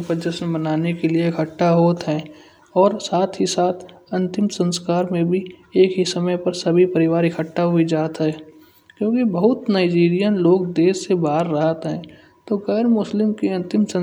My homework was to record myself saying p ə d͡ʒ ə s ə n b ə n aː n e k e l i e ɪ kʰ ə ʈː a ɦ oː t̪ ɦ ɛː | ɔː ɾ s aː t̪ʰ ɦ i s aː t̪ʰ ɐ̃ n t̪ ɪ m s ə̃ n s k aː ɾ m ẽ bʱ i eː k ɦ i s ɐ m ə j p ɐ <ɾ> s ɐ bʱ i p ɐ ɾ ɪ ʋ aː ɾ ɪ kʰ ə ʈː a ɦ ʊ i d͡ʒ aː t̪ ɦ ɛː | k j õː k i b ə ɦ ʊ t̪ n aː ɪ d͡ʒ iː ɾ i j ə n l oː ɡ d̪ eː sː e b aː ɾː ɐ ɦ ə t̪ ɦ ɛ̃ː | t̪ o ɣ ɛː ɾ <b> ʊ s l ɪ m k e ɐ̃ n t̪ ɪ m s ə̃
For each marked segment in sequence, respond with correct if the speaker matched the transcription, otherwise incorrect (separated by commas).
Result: correct, incorrect